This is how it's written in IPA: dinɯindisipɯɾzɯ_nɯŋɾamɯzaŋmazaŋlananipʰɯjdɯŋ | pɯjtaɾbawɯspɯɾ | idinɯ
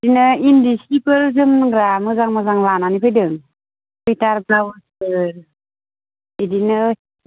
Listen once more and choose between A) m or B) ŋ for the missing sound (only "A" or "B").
A